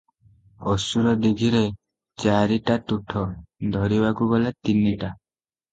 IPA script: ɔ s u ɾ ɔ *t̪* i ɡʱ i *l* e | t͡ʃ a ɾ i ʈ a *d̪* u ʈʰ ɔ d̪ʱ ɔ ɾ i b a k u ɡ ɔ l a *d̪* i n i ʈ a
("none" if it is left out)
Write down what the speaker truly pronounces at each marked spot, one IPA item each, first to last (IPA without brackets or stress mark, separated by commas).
d̪, ɾ, t̪, t̪